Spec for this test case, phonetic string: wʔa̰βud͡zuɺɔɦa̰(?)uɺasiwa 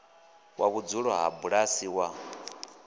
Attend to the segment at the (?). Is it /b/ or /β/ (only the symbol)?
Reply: b